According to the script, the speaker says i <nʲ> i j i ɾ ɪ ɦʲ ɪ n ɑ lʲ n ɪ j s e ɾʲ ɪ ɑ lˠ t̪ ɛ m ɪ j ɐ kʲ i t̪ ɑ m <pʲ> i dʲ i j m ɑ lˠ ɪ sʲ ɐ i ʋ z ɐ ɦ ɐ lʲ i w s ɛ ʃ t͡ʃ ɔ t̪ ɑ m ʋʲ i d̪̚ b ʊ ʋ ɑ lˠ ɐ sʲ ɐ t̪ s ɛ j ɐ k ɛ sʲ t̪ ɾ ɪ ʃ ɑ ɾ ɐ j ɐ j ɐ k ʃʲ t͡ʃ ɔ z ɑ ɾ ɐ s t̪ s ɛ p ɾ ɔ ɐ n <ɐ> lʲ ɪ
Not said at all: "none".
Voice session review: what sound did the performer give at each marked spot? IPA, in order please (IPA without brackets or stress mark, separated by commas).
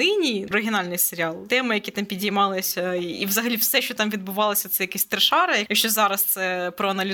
nʲ, pʲ, ɐ